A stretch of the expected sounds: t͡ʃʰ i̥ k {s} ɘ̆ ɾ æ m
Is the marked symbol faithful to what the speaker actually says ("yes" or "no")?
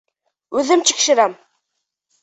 no